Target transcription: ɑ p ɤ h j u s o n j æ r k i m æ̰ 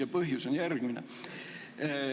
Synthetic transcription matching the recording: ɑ p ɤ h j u s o n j æ r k i n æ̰